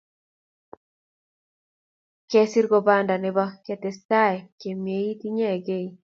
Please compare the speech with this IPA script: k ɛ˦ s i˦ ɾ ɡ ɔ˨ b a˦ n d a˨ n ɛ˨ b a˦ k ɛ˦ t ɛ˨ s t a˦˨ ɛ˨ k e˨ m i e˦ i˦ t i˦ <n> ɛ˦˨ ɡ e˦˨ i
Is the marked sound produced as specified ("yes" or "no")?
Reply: no